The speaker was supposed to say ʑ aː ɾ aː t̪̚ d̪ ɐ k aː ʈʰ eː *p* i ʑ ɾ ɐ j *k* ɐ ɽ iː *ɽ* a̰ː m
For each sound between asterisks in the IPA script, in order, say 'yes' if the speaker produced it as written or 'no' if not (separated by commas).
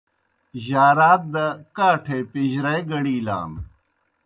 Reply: yes, no, no